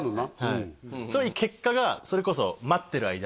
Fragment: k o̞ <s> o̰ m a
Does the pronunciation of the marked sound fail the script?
no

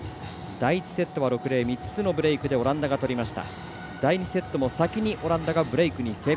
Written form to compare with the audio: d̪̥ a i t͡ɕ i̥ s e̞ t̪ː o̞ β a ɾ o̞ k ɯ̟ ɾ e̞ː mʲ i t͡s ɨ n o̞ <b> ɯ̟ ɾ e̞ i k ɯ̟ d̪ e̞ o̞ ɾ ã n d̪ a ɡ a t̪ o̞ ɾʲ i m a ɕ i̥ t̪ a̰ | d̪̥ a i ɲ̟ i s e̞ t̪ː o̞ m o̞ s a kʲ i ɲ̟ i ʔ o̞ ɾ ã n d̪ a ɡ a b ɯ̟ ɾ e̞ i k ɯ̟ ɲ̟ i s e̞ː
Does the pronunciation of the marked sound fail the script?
no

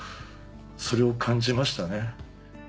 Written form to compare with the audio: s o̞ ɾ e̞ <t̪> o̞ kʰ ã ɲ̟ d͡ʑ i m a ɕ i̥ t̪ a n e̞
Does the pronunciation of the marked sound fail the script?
yes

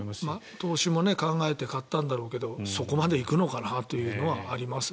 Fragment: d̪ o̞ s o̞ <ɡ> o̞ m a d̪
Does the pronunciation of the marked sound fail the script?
yes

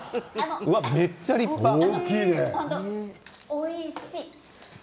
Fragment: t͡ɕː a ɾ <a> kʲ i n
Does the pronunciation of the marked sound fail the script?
yes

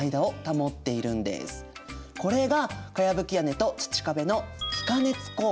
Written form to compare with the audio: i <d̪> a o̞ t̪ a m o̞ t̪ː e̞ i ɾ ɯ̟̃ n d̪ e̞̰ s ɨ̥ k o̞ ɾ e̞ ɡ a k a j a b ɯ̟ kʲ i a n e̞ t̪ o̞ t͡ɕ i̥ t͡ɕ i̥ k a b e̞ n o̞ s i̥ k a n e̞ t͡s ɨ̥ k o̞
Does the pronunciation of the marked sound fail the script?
no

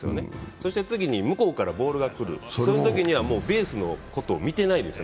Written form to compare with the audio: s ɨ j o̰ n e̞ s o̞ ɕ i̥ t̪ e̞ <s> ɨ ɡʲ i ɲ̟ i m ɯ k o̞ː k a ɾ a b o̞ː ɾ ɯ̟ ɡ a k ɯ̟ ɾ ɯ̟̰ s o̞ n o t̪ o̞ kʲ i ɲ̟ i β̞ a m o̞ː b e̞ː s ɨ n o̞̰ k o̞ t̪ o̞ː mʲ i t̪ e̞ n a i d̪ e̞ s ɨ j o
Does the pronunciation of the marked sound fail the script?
yes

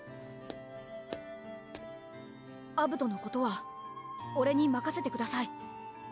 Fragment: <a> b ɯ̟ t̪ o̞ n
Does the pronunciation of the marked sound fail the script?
no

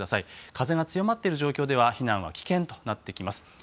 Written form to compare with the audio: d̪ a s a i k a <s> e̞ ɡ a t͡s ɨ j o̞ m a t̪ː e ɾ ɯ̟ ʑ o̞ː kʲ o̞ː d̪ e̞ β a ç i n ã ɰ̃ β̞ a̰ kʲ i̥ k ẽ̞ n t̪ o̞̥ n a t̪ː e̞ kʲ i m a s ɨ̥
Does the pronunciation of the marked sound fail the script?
yes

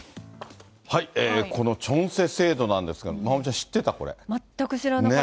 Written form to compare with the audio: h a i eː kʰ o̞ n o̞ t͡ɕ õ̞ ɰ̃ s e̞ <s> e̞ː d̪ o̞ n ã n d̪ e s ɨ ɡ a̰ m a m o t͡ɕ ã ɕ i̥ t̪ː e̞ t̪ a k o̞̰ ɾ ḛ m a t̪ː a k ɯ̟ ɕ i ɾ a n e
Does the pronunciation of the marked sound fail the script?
no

